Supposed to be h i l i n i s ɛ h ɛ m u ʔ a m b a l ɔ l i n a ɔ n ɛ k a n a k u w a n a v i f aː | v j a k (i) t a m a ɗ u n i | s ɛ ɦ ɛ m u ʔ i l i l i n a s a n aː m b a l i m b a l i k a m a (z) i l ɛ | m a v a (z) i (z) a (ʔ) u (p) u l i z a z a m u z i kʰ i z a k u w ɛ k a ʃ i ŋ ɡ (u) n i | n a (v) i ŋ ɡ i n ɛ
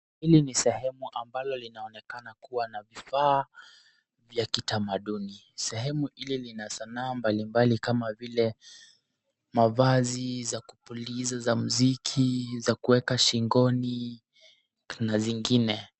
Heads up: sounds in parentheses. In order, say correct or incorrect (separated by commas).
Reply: correct, incorrect, correct, correct, incorrect, correct, incorrect, incorrect